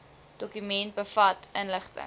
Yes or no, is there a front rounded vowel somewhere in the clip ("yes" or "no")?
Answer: yes